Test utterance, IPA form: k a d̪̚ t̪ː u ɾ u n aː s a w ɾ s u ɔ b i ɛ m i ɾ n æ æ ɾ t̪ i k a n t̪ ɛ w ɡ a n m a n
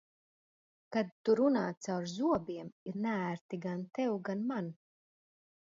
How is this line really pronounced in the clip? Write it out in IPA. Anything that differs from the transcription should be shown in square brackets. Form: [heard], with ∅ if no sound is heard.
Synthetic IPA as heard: k a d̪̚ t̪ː u ɾ u n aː s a w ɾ [z] u ɔ b i ɛ m i ɾ n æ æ ɾ t̪ i [ɡ] a n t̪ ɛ w ɡ a n m a n